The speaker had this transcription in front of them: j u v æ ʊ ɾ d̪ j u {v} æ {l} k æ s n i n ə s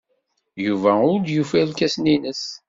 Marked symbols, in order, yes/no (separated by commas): no, yes